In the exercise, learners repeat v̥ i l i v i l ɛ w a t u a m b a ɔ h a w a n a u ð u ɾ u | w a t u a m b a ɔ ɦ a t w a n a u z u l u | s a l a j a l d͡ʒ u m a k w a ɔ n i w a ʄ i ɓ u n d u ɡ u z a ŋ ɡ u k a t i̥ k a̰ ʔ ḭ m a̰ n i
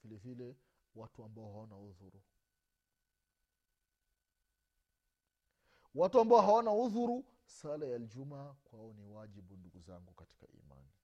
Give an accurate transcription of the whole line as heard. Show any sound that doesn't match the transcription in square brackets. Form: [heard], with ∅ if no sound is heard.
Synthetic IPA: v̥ i l [ɛ] v i l ɛ w a t u a m b a ɔ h a w a n a u ð u ɾ u | w a t u a m b a ɔ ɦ a [∅] w a n a u [ð] u [ɾ] u | s a l a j a l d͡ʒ u m a k w a ɔ n i w a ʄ i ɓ u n d u ɡ u z a ŋ ɡ u k a t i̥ k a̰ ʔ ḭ m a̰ n i